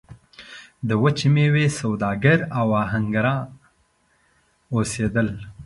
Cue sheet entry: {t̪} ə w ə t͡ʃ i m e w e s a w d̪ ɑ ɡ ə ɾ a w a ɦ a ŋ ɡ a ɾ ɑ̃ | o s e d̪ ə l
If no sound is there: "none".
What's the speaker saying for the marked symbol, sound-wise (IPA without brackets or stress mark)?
d̪